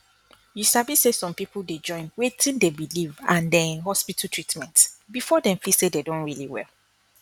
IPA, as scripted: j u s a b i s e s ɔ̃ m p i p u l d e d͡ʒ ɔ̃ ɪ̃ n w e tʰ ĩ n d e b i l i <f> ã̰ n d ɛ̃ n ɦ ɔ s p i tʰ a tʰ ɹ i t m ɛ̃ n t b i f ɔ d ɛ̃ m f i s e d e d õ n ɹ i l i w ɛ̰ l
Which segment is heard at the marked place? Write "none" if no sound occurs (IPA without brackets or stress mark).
v